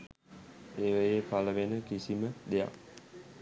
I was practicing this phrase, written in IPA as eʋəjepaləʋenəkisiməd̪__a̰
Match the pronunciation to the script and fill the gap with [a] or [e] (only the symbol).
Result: e